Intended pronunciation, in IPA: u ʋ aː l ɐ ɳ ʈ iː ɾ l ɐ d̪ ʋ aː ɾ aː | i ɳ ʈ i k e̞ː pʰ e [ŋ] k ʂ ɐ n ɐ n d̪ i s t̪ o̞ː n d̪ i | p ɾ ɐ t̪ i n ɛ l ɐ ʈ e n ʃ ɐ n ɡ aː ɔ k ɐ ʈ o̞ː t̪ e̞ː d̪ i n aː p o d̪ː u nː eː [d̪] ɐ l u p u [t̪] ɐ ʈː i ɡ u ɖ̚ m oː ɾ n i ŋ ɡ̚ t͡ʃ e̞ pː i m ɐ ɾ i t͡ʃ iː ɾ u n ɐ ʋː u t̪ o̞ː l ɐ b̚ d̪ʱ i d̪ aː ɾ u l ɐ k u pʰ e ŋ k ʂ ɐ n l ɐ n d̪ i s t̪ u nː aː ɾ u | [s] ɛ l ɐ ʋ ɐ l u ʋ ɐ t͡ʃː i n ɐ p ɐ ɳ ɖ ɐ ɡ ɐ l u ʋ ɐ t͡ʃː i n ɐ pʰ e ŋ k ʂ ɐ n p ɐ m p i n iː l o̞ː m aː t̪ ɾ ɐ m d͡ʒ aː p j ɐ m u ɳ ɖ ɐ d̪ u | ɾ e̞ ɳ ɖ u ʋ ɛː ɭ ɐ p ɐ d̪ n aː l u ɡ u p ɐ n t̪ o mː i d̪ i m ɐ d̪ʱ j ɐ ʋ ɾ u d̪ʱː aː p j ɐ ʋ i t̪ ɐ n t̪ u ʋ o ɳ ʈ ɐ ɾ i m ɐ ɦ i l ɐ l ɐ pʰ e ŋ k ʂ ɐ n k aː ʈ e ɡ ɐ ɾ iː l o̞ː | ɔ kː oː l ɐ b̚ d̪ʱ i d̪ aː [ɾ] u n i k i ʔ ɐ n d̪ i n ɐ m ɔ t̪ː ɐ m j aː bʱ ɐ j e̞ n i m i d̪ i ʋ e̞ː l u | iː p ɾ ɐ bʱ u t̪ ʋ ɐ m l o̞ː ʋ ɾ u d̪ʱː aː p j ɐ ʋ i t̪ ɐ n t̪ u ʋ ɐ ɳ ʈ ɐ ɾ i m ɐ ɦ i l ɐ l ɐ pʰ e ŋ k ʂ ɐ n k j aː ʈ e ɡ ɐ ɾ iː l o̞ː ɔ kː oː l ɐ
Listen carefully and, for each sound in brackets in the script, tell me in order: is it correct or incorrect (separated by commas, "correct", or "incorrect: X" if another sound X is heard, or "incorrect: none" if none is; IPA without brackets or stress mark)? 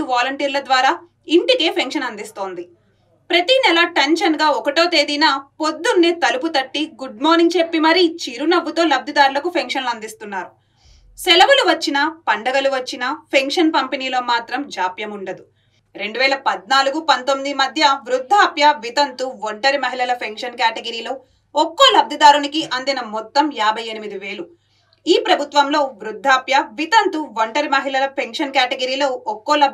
correct, incorrect: t̪, correct, correct, correct